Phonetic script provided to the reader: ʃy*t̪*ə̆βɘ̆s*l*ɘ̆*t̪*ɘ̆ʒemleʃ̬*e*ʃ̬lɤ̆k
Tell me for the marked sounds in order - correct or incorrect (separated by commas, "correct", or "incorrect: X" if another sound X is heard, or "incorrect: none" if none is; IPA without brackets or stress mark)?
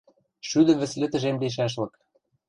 incorrect: d̪, correct, correct, incorrect: æ